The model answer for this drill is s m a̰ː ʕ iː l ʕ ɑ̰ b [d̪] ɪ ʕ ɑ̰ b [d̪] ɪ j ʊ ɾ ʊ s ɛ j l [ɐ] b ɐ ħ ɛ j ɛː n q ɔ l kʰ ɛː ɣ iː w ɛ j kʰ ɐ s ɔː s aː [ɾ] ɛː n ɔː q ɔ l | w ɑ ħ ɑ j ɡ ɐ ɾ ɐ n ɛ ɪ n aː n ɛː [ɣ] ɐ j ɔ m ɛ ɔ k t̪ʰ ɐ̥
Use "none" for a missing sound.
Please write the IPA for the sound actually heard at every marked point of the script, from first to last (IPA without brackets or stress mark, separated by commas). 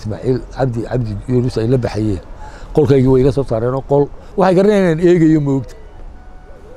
d̪, d̪, ɐ, ɾ, ɣ